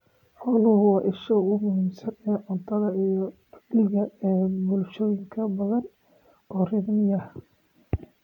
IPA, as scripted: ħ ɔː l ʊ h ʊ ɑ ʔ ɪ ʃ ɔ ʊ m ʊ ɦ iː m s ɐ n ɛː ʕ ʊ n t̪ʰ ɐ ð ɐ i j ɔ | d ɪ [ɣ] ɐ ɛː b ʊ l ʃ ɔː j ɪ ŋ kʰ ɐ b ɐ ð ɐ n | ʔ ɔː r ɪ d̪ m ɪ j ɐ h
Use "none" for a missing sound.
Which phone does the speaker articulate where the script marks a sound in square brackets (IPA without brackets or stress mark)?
ɣ